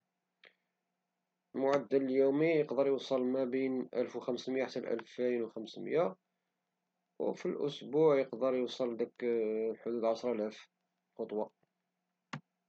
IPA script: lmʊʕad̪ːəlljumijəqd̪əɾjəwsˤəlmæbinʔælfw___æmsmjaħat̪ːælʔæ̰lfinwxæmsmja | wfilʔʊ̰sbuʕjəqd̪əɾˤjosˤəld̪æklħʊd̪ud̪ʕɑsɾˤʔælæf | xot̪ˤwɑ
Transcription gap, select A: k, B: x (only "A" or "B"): B